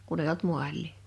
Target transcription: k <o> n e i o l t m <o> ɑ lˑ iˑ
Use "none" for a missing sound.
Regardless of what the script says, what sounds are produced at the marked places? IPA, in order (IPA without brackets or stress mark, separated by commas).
u, u